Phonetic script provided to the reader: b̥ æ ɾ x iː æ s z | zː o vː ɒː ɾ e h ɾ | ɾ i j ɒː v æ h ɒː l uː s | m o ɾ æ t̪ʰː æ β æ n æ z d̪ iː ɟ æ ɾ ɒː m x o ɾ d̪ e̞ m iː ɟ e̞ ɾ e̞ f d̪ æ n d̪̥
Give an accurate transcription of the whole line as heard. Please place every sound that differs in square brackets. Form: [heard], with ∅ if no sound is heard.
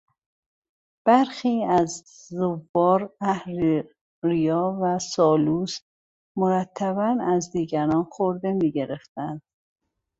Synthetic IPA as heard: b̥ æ ɾ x iː æ [∅] z | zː o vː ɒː ɾ [æ] h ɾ | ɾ i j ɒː v æ [s] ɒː l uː s | m o ɾ æ t̪ʰː æ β æ n æ z d̪ iː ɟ æ ɾ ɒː [n] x o ɾ d̪ e̞ m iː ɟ e̞ ɾ e̞ f [t̪] æ n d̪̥